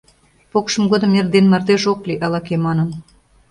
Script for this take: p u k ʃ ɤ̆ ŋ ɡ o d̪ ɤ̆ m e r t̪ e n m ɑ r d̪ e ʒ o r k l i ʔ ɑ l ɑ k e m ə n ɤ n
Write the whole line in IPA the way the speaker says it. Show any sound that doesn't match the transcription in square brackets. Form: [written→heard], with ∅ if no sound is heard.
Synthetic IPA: p [u→o] k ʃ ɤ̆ [ŋ→m] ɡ o d̪ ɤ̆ m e r [t̪→d̪] e n m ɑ r d̪ e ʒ o [r→∅] k l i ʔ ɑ l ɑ k e m [ə→ɑ] n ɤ n